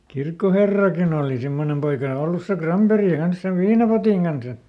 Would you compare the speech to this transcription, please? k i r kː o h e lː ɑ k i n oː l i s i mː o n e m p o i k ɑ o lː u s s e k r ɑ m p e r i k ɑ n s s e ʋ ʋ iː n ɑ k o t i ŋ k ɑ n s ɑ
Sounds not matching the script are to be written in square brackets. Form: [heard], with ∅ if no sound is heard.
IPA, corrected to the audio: k i r kː o h e [rː] ɑ k i n oː l i s i mː o n e m p o i k ɑ o lː u s s e k r ɑ m p e r i k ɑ n s s e ʋ ʋ iː n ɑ [p] o t i ŋ k ɑ n s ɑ